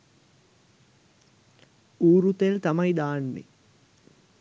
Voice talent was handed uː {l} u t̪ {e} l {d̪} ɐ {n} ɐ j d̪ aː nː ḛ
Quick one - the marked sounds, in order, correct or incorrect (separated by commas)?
incorrect, correct, incorrect, incorrect